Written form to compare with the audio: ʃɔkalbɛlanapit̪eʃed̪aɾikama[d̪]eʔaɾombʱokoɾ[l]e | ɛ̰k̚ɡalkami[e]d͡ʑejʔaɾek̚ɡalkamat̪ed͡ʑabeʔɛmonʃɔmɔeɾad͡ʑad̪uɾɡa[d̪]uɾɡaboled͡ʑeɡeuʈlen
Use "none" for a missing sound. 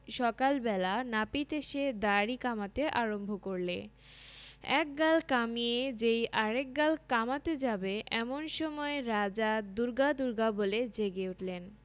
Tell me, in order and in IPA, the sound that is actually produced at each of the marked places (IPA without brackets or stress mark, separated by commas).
t̪, l, e, d̪